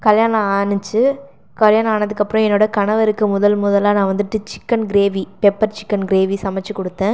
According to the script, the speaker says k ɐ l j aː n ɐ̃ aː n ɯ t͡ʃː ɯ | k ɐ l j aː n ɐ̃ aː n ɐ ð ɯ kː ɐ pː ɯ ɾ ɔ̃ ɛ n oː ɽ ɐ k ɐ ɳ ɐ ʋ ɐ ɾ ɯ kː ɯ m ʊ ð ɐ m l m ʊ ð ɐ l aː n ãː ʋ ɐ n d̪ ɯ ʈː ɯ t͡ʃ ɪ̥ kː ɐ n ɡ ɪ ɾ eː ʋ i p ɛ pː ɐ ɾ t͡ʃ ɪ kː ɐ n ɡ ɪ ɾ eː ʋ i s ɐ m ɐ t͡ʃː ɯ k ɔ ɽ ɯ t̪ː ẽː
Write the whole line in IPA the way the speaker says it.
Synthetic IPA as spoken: k ɐ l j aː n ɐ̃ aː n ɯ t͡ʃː ɯ | k ɐ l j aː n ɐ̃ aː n ɐ ð ɯ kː ɐ pː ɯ ɾ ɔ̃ ɛ nː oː ɽ ɐ k ɐ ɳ ɐ ʋ ɐ ɾ ɯ kː ɯ m ʊ ð ɐ l m ʊ ð ɐ l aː n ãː ʋ ɐ n d̪ ɯ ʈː ɯ t͡ʃ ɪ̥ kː ɐ n ɡ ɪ ɾ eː ʋ i p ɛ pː ɐ ɾ t͡ʃ ɪ kː ɐ n ɡ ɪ ɾ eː ʋ i s ɐ m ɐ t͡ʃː ɯ k ɔ ɽ ɯ t̪ː ẽː